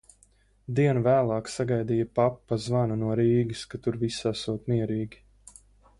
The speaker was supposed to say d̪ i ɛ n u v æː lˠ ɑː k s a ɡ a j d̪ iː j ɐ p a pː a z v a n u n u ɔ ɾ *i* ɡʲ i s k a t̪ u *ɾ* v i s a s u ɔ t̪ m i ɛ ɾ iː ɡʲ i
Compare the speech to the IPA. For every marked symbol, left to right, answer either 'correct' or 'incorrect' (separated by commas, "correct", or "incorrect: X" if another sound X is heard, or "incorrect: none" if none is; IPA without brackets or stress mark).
incorrect: iː, correct